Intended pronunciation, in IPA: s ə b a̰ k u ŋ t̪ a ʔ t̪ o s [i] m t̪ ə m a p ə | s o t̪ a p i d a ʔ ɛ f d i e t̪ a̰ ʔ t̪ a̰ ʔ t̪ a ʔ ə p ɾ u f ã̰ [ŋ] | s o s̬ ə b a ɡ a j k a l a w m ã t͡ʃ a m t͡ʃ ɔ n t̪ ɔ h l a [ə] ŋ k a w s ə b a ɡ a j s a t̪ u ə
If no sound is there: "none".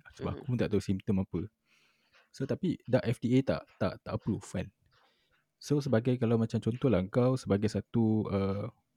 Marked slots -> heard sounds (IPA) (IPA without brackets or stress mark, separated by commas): i, n, ə